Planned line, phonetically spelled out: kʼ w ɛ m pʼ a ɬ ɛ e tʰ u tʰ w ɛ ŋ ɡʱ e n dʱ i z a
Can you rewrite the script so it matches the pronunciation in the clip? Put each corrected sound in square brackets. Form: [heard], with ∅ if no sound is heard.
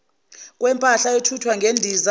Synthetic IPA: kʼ w ɛ m pʼ a ɬ [a] e tʰ u tʰ w [a] ŋ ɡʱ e n dʱ i z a